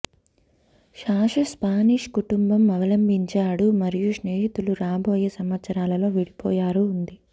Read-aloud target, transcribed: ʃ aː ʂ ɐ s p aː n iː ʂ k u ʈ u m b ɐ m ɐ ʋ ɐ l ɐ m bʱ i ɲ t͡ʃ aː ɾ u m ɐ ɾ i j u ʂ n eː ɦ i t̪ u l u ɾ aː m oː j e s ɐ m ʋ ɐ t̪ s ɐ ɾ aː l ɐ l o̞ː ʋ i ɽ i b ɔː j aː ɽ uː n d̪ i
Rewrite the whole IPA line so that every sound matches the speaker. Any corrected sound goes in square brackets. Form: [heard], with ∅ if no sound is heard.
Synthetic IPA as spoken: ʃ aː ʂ ɐ s p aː n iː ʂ k u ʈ u m b ɐ m ɐ ʋ ɐ l ɐ m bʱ i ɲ t͡ʃ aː [ɽ] u m ɐ ɾ i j u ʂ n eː ɦ i t̪ u l u ɾ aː [b] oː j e s ɐ m ʋ ɐ t̪ s ɐ ɾ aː l ɐ l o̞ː ʋ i ɽ i [p] ɔː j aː [ɾ] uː n d̪ i

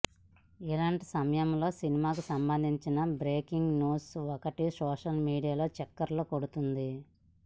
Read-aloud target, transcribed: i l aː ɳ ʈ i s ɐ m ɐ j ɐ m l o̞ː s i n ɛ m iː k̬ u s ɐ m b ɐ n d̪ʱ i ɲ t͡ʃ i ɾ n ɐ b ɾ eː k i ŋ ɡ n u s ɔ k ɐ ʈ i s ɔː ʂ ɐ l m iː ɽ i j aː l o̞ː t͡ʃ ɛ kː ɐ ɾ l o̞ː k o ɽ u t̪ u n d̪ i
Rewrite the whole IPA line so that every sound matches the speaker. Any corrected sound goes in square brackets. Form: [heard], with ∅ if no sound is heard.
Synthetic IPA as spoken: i l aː ɳ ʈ i s ɐ m ɐ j ɐ m l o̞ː s i n [i] m [aː] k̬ u s ɐ m b ɐ n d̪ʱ i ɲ t͡ʃ i [∅] n ɐ b ɾ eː k i ŋ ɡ n [uː] s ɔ k ɐ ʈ i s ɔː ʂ ɐ l m iː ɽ i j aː l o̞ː t͡ʃ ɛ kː ɐ ɾ l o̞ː k o ɽ u t̪ u n d̪ i

